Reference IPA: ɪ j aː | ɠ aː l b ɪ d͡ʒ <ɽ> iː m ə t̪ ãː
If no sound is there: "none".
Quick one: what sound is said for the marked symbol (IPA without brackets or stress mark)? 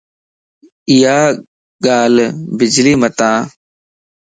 l